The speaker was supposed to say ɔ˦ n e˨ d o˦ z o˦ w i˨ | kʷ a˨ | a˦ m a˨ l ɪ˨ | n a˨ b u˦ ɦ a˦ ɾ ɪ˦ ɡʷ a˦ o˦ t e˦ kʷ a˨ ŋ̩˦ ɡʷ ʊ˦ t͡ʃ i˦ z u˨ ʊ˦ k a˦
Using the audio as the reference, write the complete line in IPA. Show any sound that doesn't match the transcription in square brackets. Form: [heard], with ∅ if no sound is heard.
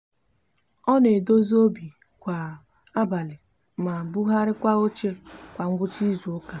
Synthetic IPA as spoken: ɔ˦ n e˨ d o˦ z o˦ [b] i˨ | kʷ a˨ | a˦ [b] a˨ l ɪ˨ | [m] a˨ b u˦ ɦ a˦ ɾ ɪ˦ [kʷ] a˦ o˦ [t͡ʃ] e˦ kʷ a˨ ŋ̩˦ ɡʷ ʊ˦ t͡ʃ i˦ z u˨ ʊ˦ k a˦